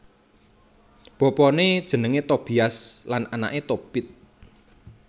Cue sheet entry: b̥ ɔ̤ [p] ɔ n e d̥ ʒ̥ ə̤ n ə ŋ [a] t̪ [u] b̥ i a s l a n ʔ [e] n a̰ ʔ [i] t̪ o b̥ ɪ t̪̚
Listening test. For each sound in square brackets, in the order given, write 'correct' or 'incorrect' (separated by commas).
correct, incorrect, incorrect, incorrect, incorrect